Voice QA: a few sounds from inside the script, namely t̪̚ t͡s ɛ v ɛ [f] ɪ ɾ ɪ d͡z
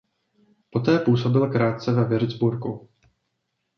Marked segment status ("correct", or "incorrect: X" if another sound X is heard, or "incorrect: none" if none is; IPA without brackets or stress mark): incorrect: v